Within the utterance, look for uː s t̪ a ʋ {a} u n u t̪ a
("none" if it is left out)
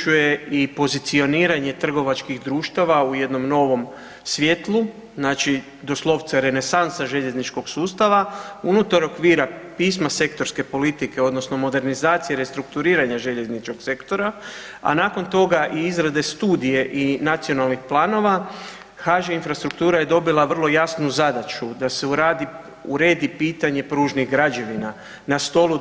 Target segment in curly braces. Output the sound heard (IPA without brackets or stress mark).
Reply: a